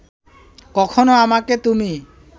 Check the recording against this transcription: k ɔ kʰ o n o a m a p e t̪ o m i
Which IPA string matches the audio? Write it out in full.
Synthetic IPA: k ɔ kʰ o n o a m a k e t̪ u m i